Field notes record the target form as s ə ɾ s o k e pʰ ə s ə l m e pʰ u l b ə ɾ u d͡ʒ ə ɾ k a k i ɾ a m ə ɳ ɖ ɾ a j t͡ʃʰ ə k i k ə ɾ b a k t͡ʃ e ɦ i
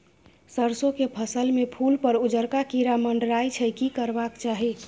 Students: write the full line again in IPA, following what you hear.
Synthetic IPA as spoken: s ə ɾ s o k e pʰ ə s ə l m e pʰ u l p ə ɾ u d͡ʒ ə ɾ k a k i ɾ a m ə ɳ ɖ ɾ a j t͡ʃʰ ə k i k ə ɾ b a k t͡ʃ a ɦ i